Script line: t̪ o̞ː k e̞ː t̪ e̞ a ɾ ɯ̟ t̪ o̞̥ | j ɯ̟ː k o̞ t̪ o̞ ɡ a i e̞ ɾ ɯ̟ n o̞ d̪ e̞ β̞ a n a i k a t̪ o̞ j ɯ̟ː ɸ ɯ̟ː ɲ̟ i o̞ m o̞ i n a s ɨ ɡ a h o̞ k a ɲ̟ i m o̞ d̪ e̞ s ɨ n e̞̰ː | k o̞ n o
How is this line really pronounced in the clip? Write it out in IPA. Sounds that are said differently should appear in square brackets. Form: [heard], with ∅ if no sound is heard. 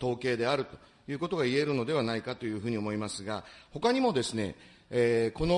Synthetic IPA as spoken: t̪ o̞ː k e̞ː [d̪] e̞ a ɾ ɯ̟ t̪ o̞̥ | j ɯ̟ː k o̞ t̪ o̞ ɡ a i e̞ ɾ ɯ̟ n o̞ d̪ e̞ β̞ a n a i k a t̪ o̞ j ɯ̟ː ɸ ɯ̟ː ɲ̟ i o̞ m o̞ i [m] a s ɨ ɡ a h o̞ k a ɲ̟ i m o̞ d̪ e̞ s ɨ n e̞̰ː | k o̞ n o